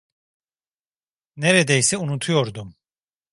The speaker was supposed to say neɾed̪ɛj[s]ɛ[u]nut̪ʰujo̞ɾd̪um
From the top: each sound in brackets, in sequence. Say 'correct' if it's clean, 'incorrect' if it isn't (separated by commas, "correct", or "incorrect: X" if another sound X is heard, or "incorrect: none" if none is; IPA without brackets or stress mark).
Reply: correct, correct